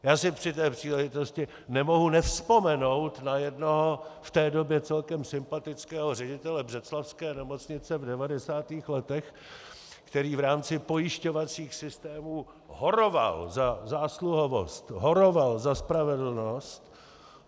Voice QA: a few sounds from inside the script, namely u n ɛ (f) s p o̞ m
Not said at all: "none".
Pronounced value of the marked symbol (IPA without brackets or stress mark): f